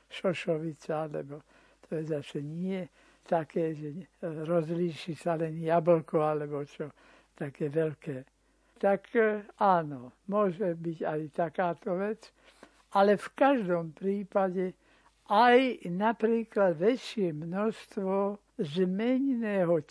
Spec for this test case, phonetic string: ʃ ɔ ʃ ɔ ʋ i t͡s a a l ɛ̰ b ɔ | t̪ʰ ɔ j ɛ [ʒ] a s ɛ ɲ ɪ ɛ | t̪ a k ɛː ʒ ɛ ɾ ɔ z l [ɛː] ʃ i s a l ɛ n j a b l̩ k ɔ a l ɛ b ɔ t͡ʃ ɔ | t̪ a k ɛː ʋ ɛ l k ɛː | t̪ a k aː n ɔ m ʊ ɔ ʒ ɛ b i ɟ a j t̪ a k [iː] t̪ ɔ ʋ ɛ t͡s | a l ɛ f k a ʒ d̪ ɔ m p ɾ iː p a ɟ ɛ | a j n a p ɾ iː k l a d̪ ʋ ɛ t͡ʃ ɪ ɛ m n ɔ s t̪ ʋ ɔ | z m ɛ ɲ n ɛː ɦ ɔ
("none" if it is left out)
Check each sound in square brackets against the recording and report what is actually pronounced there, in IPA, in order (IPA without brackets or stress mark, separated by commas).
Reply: z, iː, aː